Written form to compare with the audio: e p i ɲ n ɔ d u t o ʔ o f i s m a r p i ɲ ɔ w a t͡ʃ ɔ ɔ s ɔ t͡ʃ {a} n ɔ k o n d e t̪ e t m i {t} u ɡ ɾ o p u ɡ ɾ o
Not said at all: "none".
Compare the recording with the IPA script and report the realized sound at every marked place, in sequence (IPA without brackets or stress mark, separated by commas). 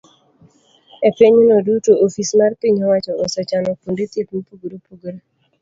a, p